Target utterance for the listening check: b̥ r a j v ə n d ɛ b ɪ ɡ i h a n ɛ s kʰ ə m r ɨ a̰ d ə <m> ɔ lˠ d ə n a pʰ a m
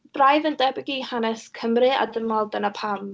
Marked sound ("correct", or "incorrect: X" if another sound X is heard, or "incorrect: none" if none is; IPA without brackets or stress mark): correct